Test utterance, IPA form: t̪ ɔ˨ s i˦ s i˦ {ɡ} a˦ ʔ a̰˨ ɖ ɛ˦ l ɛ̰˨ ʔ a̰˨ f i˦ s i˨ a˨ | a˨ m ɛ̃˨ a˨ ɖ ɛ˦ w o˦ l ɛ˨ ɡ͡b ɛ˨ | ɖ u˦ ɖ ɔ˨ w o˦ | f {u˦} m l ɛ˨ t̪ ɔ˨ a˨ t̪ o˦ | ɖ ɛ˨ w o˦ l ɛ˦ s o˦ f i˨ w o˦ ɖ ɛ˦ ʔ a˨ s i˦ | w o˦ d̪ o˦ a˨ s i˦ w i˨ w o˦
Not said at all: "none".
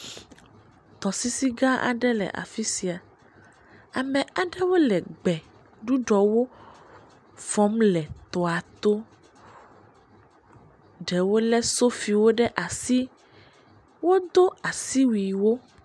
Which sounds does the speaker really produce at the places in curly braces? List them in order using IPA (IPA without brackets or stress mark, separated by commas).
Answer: ɡ, ɔ˦